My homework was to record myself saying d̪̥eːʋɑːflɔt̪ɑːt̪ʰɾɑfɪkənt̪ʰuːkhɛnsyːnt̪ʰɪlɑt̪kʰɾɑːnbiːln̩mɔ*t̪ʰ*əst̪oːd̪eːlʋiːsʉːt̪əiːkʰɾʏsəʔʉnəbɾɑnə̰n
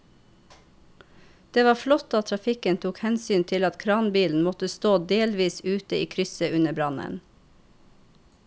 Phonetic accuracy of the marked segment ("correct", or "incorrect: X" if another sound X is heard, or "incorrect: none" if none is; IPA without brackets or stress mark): incorrect: t̪